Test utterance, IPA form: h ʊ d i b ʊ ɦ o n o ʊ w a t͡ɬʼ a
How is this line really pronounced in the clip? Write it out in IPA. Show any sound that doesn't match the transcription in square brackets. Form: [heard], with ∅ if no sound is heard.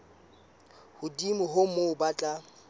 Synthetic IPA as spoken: h ʊ d i [m] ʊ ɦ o [m] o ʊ [b] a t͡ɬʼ a